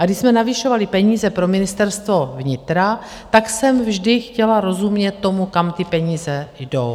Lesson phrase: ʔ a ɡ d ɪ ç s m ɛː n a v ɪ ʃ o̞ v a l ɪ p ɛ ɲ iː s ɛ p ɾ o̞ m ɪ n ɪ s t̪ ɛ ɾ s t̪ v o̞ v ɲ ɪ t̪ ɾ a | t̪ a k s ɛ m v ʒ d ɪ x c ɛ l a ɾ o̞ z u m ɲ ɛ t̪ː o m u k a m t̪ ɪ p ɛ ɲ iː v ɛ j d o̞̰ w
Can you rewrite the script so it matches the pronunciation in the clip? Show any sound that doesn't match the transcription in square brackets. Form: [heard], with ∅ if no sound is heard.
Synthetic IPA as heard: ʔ a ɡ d ɪ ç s m [ɛ] n a v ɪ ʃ o̞ v a l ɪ p ɛ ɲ iː [z] ɛ p ɾ o̞ m ɪ n ɪ s t̪ ɛ ɾ s t̪ v o̞ v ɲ ɪ t̪ ɾ a | t̪ a k s ɛ m v ʒ d ɪ x c ɛ l a ɾ o̞ z u m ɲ ɛ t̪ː o m u k a m t̪ ɪ p ɛ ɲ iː [z] ɛ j d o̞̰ w